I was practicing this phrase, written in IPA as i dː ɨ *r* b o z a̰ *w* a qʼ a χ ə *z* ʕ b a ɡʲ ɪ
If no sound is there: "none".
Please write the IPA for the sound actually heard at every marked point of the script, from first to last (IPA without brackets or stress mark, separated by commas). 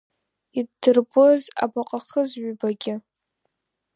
r, b, z